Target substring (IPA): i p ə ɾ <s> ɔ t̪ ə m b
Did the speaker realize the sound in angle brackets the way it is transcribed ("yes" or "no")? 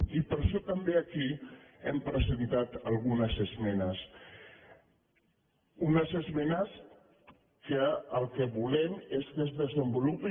no